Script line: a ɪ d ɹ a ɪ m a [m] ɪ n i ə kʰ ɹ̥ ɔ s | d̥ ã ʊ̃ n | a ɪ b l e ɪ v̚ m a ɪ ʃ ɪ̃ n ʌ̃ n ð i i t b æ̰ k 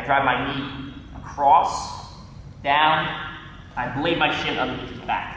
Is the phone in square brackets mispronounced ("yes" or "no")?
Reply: yes